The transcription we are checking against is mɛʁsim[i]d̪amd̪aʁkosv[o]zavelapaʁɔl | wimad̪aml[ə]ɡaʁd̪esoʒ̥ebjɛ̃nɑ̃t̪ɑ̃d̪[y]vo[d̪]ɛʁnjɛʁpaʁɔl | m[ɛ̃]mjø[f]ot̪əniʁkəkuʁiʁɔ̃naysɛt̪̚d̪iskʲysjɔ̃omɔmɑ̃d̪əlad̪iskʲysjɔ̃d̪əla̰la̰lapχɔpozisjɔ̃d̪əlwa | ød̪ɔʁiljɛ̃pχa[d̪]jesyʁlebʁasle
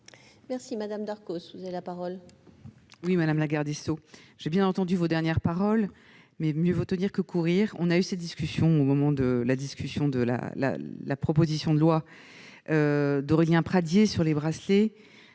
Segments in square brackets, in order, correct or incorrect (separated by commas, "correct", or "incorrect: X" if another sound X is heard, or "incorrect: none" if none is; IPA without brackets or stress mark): incorrect: a, incorrect: u, incorrect: a, correct, correct, incorrect: ɛ, incorrect: v, correct